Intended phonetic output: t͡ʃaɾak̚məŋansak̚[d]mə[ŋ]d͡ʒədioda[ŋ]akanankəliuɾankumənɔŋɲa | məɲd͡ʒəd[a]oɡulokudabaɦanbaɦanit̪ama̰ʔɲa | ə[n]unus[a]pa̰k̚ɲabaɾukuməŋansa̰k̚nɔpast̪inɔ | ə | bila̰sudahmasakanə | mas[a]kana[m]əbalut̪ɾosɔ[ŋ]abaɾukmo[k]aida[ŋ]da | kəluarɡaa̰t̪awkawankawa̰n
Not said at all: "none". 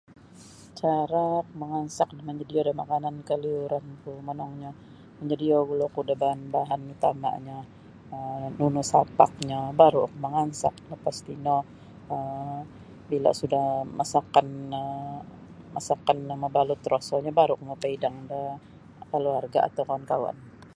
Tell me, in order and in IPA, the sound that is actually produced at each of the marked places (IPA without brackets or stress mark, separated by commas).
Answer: d, ɲ, m, i, n, a, a, m, ɲ, p, ŋ